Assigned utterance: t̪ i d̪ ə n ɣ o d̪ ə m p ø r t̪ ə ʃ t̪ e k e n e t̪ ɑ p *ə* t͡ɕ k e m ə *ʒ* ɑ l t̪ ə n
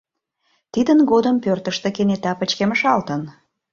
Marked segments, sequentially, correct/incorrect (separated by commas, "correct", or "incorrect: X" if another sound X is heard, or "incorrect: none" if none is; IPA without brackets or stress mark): correct, incorrect: ʃ